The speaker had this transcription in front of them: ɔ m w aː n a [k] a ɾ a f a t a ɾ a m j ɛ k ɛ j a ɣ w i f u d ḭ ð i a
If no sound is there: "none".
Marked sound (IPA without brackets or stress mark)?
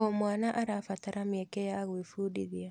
ʔ